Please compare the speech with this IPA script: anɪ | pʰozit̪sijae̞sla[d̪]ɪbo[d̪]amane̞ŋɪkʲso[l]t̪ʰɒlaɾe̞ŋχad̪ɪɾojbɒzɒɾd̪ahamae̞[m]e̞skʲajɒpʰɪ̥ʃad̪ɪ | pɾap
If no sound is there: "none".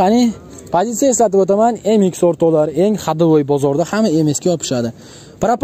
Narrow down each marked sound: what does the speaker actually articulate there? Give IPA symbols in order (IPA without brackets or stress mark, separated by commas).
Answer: t̪, t̪, ɾ, m